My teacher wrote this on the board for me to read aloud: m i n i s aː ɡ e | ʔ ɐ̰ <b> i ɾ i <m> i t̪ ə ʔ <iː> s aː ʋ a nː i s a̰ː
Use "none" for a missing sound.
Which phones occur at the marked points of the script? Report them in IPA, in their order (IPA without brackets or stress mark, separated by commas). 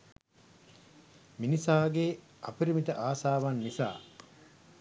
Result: p, m, aː